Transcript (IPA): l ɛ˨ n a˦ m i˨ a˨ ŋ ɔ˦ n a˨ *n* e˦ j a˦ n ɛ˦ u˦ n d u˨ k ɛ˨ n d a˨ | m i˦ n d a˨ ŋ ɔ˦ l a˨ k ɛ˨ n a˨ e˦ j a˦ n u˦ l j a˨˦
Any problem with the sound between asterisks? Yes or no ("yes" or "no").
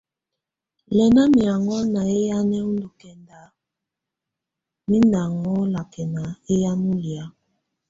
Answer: yes